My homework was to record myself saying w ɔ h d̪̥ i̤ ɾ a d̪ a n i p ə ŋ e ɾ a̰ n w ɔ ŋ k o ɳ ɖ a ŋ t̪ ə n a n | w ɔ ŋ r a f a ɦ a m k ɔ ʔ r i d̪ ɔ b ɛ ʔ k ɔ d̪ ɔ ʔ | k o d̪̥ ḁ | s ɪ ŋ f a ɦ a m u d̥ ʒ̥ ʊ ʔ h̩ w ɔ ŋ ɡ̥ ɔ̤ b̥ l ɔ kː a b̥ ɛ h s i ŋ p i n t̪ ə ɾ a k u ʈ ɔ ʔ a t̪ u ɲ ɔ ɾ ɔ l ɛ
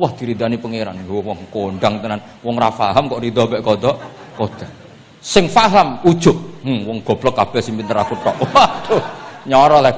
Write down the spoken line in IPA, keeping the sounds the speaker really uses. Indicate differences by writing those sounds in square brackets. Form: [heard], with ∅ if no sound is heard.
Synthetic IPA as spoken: w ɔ h d̪̥ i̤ ɾ [i] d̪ a n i p ə ŋ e ɾ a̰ n w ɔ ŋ k o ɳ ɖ a ŋ t̪ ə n a n | w ɔ ŋ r a f a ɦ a m k ɔ ʔ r i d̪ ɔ b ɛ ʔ k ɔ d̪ ɔ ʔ | k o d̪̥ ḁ | s ɪ ŋ f a ɦ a m u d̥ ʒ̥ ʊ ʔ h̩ w ɔ ŋ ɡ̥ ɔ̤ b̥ l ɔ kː a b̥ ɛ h s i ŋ p i n t̪ ə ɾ a k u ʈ ɔ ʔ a t̪ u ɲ ɔ ɾ ɔ l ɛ